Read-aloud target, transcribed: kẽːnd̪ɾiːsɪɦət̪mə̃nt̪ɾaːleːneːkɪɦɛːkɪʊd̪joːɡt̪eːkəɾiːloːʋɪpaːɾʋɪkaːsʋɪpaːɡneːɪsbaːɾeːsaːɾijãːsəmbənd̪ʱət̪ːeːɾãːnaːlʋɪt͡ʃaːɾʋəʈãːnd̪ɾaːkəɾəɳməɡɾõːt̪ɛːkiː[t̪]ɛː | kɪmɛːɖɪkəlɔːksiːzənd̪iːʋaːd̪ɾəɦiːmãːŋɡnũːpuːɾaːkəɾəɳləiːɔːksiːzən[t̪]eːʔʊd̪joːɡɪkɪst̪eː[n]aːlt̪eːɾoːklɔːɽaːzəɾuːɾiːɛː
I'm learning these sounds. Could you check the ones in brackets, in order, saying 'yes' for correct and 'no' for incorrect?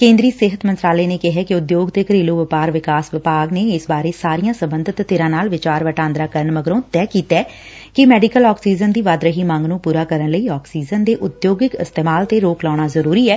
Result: yes, no, no

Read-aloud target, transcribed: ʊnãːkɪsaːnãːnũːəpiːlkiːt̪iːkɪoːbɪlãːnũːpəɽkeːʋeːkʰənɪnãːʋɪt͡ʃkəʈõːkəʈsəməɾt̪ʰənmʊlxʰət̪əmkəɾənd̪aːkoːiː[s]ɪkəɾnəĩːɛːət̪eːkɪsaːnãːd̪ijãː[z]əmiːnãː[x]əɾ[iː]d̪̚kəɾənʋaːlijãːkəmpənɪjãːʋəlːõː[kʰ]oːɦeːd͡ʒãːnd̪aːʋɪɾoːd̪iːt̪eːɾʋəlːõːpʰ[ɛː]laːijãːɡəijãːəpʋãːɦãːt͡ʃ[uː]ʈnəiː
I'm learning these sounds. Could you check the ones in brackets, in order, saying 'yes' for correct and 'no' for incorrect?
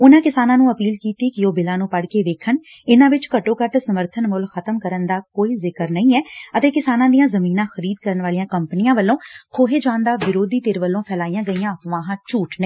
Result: no, yes, yes, yes, yes, yes, yes

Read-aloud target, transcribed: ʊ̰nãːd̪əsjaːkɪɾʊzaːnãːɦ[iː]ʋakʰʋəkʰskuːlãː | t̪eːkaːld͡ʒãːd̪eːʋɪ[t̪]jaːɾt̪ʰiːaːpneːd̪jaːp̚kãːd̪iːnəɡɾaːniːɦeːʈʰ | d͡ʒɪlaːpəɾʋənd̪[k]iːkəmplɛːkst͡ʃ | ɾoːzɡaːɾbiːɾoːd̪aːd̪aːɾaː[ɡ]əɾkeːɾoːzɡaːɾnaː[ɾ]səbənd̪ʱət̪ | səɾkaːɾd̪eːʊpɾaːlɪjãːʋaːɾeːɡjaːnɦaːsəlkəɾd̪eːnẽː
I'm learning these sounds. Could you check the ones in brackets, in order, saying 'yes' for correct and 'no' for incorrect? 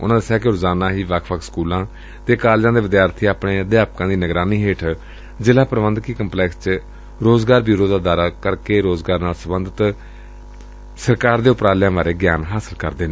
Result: yes, no, yes, no, no

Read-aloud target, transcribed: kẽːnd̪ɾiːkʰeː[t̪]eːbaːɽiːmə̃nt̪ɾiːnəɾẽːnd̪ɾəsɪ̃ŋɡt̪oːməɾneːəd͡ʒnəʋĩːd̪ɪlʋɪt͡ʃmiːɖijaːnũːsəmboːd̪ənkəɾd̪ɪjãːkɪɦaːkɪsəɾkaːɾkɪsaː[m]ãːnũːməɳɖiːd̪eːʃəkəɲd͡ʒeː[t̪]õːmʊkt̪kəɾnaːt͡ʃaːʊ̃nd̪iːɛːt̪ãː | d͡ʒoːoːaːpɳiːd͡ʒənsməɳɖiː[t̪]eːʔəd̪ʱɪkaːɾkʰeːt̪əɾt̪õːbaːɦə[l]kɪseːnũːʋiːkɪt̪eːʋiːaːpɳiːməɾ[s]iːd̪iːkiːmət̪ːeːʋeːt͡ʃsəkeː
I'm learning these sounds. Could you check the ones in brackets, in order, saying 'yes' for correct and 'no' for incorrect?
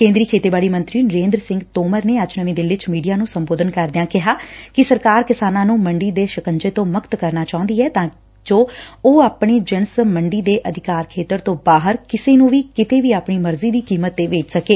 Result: yes, no, yes, no, no, no

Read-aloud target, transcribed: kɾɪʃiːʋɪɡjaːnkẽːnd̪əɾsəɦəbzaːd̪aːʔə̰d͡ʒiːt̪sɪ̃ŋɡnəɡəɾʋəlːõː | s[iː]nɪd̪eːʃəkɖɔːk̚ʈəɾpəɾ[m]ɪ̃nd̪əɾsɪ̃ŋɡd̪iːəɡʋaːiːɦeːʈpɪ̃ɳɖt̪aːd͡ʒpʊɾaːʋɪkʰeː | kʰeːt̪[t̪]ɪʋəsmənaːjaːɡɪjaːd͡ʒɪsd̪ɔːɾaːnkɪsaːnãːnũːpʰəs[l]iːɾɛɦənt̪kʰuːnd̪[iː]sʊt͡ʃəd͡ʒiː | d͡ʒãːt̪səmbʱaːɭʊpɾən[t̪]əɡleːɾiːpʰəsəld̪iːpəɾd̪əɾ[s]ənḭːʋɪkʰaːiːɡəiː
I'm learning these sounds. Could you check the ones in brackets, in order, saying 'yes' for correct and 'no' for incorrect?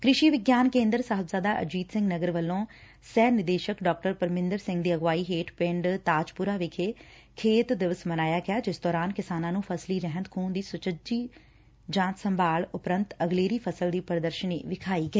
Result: no, yes, no, yes, yes, yes, no

